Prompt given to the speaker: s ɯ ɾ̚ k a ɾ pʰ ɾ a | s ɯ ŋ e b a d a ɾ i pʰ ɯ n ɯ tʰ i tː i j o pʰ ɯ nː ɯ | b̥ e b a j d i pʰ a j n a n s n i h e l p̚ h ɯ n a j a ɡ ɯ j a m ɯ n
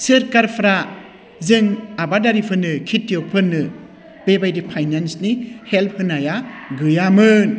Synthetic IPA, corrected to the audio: s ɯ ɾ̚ k a ɾ pʰ ɾ a | z ɯ ŋ a b a d a ɾ i pʰ ɯ n ɯ kʰ i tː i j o pʰ ɯ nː ɯ | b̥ e b a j d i pʰ a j n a n s n i h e l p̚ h ɯ n a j a ɡ ɯ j a m ɯ n